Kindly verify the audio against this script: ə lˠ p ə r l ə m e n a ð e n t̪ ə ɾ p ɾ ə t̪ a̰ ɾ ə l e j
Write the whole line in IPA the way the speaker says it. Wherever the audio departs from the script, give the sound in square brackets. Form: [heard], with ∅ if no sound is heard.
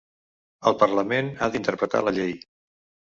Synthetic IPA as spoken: ə lˠ p ə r l ə m e n a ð [i] n t̪ ə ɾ p ɾ ə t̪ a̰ [l] ə [ʎ] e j